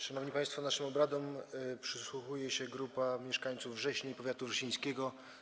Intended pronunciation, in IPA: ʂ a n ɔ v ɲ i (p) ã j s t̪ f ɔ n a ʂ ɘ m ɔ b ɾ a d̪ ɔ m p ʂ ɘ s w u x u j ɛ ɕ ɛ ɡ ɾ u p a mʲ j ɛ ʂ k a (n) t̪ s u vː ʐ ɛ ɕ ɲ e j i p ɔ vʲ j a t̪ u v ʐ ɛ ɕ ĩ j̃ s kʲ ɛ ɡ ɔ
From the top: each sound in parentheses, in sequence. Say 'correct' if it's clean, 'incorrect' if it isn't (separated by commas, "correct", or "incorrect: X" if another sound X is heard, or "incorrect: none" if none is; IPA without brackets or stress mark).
correct, incorrect: ɲ